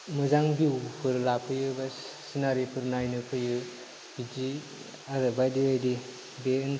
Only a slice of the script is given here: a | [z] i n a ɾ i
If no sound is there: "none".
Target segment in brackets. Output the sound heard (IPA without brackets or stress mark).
s